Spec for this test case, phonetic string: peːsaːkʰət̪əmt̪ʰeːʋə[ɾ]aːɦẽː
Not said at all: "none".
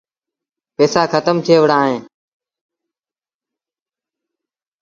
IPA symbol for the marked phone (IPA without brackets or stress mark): ɽ